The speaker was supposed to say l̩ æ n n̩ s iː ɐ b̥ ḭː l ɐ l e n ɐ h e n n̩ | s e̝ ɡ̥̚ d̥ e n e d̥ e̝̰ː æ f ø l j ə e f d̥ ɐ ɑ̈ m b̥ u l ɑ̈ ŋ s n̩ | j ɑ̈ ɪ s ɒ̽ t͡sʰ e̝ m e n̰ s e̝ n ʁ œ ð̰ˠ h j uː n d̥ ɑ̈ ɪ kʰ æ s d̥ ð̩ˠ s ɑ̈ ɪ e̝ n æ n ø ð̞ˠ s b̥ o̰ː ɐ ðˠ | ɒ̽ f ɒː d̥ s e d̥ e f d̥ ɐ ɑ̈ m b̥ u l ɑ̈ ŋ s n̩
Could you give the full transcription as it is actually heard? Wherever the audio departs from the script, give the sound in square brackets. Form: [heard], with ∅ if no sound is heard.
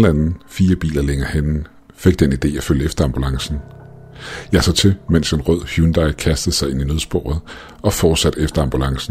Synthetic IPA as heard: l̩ æ n n̩ [f] iː ɐ b̥ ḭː l ɐ l e [ŋ] ɐ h e n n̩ | [f] e̝ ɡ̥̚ d̥ e n [i] d̥ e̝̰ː æ f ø l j ə e f d̥ ɐ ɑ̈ m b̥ u l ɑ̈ ŋ s n̩ | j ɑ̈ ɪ s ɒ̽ t͡sʰ e̝ m e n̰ s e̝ n ʁ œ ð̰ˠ h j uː n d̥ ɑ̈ ɪ kʰ æ s d̥ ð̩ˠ s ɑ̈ ɪ e̝ n [i] n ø ð̞ˠ s b̥ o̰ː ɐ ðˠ | ɒ̽ f ɒː d̥ s [æ] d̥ e f d̥ ɐ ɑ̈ m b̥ u l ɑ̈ ŋ s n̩